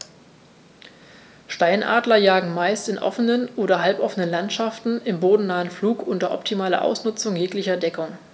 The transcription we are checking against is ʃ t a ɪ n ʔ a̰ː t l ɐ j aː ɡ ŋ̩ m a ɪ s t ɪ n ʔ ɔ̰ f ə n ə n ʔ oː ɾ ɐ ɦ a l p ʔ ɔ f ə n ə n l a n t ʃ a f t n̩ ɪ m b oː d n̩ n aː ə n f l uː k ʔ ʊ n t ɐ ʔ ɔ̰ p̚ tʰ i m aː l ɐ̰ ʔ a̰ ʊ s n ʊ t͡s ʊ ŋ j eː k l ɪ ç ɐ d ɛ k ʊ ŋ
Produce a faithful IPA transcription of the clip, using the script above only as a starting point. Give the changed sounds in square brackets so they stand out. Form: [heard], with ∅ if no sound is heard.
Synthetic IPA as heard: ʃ t a ɪ n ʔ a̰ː [d] l ɐ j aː ɡ ŋ̩ m a ɪ s t ɪ n ʔ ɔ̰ f ə n ə n ʔ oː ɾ ɐ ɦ a l p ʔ ɔ f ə n ə n l a n t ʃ a f t n̩ ɪ m b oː d n̩ n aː ə n f l uː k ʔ ʊ n t ɐ ʔ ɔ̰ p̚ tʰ i m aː l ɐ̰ ʔ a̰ ʊ s n ʊ t͡s ʊ ŋ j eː k l ɪ ç ɐ d ɛ k ʊ ŋ